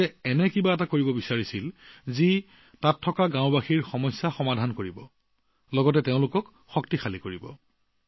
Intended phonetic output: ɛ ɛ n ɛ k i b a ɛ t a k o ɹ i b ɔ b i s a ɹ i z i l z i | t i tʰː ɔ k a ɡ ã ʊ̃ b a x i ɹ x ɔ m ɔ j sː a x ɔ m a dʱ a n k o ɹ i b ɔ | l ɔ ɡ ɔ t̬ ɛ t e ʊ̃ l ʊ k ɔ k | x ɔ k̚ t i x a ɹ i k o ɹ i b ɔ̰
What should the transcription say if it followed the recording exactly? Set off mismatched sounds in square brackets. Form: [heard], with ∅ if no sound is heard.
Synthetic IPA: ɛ ɛ n ɛ k i b a ɛ t a k o ɹ i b ɔ b i s a ɹ i [s] i l z i | t [a] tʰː ɔ k a ɡ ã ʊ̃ b a x i ɹ x ɔ m ɔ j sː a x ɔ m a dʱ a n k o ɹ i b ɔ | l ɔ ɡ ɔ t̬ ɛ t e ʊ̃ l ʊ k ɔ k | x ɔ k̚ t i x a [l] i k o ɹ i b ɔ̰